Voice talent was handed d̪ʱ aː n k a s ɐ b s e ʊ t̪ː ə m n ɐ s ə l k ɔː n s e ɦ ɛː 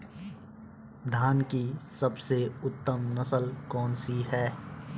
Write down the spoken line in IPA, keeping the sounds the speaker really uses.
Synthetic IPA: d̪ʱ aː n k i s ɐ b s e ʊ t̪ː ə m n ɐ s ə l k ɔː n s i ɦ ɛː